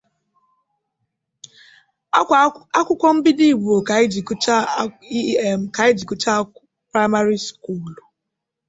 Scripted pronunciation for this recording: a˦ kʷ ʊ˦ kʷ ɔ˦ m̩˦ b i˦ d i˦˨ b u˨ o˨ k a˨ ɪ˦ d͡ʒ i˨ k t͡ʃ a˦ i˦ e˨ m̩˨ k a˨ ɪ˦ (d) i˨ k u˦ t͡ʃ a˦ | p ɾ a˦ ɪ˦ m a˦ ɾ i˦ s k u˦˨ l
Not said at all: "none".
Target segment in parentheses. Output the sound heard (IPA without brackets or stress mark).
d͡ʒ